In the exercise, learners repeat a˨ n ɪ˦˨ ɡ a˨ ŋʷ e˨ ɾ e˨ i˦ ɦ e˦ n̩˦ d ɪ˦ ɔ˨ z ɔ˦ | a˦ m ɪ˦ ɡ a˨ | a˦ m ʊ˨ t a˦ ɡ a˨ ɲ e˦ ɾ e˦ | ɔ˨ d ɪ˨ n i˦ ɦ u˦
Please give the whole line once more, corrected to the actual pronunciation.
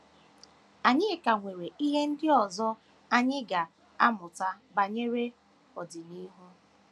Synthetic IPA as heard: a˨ ɲ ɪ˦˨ k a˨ ŋʷ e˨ ɾ e˨ i˦ ɦ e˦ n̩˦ d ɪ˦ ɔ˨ z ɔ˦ | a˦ ɲ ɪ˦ ɡ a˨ | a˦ m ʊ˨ t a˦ b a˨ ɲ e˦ ɾ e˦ | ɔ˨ d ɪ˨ n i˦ ɦ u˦